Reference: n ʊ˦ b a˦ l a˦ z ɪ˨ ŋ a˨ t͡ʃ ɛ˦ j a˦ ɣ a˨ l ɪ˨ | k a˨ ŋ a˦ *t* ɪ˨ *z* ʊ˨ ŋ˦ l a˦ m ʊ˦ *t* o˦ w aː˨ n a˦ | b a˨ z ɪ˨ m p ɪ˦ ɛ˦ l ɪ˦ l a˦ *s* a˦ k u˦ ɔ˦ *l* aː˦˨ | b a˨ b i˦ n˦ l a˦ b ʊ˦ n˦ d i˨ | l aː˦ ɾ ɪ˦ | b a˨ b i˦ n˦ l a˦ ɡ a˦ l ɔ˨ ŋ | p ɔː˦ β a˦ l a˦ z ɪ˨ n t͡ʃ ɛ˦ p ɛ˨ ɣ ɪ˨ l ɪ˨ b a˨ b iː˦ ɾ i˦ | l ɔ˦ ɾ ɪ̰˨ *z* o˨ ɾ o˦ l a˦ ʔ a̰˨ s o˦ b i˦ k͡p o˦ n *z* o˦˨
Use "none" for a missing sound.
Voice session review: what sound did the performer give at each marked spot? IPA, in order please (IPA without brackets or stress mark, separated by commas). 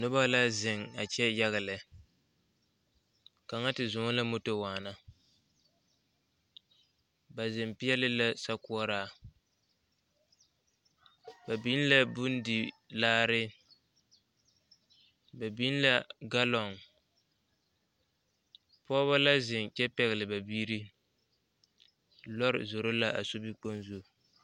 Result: t, z, t, s, ɾ, z, z